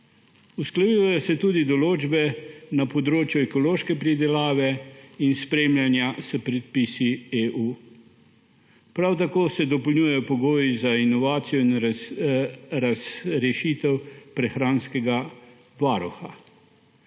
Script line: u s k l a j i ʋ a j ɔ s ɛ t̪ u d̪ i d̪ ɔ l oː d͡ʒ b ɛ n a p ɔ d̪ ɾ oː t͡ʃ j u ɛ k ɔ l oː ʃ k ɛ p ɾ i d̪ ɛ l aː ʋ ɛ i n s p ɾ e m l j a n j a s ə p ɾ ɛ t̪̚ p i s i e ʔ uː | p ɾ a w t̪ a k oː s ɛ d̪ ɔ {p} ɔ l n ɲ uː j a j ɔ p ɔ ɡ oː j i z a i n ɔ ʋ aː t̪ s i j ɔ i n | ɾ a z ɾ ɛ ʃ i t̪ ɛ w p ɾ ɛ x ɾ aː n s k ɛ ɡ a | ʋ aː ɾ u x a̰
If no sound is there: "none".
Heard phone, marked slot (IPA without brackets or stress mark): p